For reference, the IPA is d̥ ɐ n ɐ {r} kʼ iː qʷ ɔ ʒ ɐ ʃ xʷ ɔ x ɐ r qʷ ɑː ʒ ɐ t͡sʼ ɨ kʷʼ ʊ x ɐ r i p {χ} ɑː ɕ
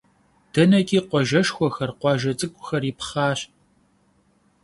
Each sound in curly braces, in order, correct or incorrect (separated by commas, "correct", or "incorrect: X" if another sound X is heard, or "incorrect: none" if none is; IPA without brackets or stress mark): incorrect: none, correct